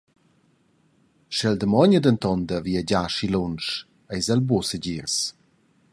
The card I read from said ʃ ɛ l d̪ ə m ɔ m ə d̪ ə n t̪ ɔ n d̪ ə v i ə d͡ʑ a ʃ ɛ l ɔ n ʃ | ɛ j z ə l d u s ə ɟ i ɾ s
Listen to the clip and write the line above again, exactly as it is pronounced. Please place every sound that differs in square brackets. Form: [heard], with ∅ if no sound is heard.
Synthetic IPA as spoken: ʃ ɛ l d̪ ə m ɔ [ɲ] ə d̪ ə n t̪ ɔ n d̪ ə v i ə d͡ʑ a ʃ [i] l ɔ n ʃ | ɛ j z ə l [b] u s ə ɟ i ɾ s